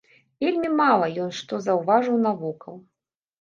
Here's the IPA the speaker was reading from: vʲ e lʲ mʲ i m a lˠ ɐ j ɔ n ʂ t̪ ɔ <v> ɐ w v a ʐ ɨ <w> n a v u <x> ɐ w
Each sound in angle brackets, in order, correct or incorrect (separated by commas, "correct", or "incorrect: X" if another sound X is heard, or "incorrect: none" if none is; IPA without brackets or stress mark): incorrect: z, correct, incorrect: k